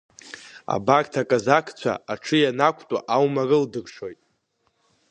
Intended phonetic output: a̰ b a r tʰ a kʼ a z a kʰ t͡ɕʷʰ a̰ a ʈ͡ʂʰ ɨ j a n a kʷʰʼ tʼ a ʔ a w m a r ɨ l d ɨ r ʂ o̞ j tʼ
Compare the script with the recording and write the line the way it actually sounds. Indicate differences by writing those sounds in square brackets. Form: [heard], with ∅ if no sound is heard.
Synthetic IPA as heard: a̰ b a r tʰ a kʼ a z a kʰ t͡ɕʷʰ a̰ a ʈ͡ʂʰ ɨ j a n a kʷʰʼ tʼ a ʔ a w m a r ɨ l d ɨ r ʂ o̞ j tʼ